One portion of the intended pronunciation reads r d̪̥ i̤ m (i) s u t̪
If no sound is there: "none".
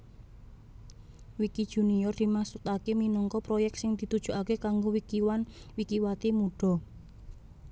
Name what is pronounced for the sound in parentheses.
a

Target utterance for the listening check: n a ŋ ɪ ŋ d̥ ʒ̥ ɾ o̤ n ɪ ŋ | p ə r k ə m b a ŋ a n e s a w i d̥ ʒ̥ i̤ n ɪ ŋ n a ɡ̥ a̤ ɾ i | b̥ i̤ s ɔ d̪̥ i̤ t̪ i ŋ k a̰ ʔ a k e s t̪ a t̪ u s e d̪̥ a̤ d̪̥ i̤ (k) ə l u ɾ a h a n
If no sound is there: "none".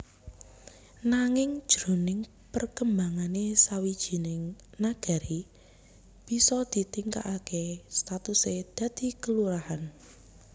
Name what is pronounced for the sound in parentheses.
k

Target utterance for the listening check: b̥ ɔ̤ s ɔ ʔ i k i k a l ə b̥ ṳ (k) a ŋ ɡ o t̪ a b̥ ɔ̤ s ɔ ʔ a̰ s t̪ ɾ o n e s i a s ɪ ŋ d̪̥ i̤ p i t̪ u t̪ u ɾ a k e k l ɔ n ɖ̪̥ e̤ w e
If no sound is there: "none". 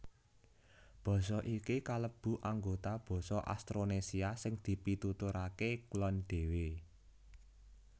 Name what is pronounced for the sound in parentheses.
ʔ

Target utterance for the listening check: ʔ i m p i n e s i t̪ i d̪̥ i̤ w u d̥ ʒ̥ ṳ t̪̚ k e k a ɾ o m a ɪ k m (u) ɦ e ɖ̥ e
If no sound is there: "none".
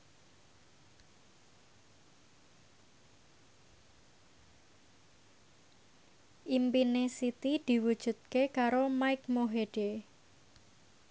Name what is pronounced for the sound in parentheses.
o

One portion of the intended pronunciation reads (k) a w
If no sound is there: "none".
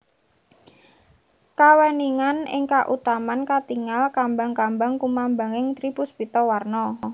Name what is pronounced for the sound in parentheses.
k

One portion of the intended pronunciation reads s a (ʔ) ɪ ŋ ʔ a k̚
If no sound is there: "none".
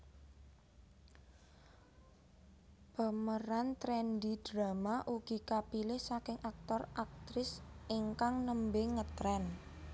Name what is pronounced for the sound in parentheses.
k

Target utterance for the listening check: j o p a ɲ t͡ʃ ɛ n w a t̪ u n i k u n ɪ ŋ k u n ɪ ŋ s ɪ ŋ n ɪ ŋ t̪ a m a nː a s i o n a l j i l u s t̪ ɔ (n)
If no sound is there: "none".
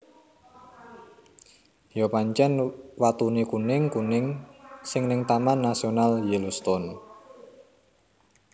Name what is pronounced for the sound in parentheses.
n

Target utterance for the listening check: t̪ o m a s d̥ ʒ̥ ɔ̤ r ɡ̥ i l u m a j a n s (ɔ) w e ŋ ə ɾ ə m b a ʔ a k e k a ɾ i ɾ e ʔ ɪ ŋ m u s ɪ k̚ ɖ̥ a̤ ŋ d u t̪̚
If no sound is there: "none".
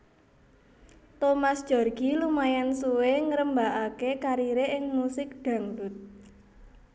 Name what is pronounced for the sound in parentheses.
u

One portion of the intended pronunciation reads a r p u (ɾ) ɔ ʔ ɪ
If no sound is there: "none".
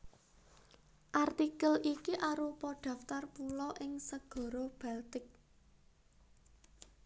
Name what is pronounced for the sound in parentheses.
l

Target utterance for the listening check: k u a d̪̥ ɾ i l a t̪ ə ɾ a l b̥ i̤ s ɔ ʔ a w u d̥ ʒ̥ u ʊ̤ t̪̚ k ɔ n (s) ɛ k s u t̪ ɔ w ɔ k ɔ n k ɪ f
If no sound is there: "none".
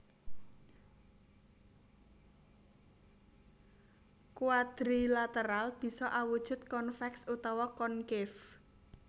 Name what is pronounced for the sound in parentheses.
f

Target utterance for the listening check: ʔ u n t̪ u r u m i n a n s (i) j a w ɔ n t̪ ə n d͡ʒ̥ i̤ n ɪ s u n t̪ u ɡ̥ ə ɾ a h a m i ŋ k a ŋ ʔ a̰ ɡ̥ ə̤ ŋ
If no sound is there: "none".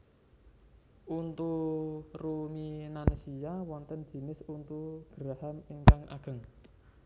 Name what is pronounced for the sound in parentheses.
i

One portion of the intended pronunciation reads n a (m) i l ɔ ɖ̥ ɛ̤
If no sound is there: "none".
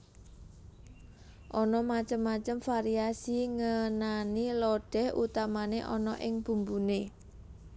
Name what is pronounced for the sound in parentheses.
n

